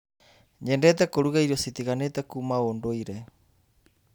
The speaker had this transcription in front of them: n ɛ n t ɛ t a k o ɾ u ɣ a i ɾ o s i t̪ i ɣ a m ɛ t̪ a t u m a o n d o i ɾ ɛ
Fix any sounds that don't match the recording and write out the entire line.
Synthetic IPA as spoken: ɲ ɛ n d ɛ t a k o ɾ u ɣ a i ɾ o s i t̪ i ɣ a n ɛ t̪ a k u m a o n d o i ɾ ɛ